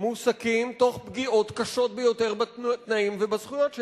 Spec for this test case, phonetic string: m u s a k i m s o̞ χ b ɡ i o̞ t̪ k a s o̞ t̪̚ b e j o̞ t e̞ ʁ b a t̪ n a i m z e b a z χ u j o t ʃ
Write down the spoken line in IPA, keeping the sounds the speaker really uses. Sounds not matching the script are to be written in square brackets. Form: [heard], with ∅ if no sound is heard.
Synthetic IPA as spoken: m u s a k i m [t] o̞ χ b ɡ i o̞ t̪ k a [ʃ] o̞ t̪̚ b e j o̞ t e̞ ʁ b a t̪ n a i m [v] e b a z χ u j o t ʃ